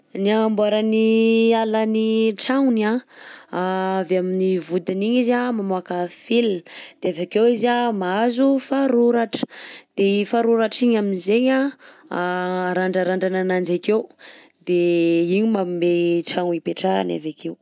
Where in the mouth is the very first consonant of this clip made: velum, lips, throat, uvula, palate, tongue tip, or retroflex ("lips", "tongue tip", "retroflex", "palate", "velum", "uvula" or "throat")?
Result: tongue tip